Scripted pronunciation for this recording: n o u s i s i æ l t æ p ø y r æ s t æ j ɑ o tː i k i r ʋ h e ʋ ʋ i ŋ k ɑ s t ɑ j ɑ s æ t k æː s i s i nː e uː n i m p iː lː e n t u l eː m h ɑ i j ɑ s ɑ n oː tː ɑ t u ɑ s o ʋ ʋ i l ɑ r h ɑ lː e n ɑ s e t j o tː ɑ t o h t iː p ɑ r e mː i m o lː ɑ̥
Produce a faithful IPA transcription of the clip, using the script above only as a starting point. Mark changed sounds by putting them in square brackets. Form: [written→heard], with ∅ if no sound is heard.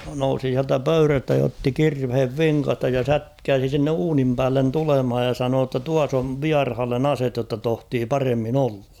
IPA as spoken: n o u s i s i æ l t æ p ø y r æ s t æ j ɑ o tː i k i r ʋ h e ʋ ʋ i ŋ k ɑ s t ɑ j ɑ s æ t k æː s i s i nː e uː n i m p [iː→æː] lː e n t u l [eː→e] m h ɑ [i→j] j ɑ s ɑ n oː tː ɑ t u ɑ s o ʋ ʋ i [l→∅] ɑ r h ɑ lː e n ɑ s e t j o tː ɑ t o h t iː p ɑ r e mː i [m→n] o lː ɑ̥